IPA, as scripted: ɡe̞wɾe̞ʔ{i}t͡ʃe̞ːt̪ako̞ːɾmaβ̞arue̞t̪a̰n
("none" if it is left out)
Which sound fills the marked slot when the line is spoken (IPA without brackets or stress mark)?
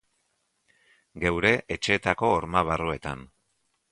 e